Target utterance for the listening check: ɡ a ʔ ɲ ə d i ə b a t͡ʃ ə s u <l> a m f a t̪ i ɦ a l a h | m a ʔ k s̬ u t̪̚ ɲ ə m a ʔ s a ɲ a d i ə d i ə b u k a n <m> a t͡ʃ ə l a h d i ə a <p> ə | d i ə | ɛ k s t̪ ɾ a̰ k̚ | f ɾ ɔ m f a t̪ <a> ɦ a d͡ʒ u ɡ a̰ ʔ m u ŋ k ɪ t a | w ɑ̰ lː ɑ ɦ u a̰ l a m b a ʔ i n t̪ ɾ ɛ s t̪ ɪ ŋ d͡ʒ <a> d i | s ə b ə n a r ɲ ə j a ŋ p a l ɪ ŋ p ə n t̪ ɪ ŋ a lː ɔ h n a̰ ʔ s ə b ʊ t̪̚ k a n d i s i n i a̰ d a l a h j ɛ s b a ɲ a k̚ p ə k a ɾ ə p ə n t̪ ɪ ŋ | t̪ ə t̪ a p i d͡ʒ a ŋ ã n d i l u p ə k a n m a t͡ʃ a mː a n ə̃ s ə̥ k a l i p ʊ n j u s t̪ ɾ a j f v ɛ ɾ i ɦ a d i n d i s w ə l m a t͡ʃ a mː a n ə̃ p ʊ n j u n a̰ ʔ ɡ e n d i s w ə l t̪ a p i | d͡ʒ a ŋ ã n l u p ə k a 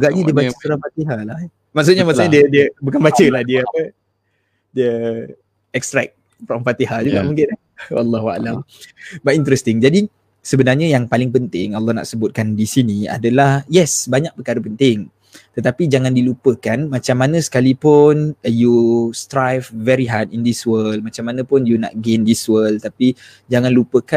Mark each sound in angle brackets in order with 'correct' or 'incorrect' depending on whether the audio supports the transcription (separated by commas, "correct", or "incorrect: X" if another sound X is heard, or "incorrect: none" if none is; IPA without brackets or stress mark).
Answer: incorrect: ɾ, incorrect: b, correct, incorrect: i, correct